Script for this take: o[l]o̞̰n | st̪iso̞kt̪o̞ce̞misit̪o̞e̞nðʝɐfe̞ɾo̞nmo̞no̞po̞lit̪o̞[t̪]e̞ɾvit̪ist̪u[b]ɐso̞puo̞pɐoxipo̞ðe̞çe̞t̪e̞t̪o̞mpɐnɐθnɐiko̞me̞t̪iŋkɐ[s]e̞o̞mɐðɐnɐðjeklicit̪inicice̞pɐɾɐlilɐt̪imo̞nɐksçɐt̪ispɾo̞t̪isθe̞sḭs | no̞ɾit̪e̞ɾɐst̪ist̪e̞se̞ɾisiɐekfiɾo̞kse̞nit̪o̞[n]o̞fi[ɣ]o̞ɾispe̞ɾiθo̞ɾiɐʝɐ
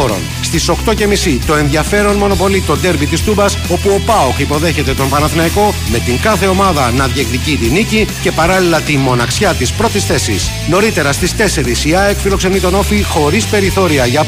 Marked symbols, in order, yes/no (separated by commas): no, no, yes, no, yes, no